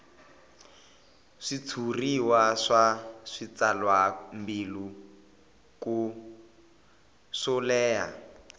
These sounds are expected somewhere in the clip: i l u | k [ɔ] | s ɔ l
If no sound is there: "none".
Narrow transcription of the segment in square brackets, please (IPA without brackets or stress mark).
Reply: u